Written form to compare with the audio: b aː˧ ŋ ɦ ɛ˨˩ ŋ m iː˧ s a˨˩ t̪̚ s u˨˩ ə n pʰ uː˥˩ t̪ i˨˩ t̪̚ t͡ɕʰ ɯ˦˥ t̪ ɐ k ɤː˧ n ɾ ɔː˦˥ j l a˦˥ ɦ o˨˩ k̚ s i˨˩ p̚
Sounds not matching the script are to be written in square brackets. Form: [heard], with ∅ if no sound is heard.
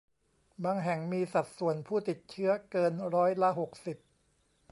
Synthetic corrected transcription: b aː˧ ŋ ɦ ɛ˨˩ ŋ m iː˧ s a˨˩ t̪̚ s u˨˩ ə n pʰ uː˥˩ t̪ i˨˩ t̪̚ t͡ɕʰ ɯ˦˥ [∅] ɐ k ɤː˧ n ɾ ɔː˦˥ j l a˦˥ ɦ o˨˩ k̚ s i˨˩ p̚